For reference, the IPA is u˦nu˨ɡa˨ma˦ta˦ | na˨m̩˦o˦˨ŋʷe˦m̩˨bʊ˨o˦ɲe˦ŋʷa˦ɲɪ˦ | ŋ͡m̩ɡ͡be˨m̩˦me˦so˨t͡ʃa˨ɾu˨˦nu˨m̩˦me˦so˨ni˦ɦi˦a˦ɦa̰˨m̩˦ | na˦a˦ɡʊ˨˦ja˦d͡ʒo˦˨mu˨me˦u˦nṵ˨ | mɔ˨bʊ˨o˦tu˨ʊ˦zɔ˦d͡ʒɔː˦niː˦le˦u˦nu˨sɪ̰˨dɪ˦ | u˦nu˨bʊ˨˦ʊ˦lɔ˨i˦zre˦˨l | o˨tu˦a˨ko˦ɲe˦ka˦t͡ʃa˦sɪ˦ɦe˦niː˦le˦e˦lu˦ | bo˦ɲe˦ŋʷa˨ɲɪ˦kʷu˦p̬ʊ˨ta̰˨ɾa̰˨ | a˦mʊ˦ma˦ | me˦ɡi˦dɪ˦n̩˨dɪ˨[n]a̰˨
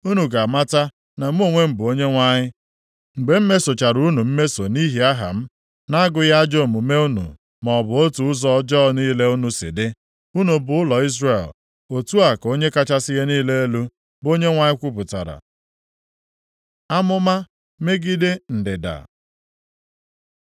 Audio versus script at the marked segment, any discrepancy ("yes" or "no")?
yes